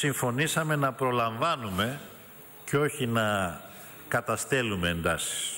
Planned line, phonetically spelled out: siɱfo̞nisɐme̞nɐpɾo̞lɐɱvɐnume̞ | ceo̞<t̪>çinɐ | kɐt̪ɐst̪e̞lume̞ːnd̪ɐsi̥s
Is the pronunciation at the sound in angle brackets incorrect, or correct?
incorrect